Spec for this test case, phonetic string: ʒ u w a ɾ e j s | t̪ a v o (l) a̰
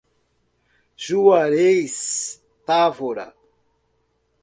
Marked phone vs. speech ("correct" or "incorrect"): incorrect